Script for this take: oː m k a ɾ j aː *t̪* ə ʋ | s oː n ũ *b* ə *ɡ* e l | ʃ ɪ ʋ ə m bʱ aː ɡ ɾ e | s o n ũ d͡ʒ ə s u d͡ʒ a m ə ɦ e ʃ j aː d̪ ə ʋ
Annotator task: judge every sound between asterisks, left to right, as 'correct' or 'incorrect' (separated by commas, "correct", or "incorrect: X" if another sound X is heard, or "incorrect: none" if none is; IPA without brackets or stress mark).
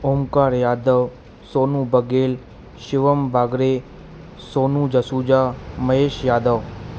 incorrect: d̪, correct, correct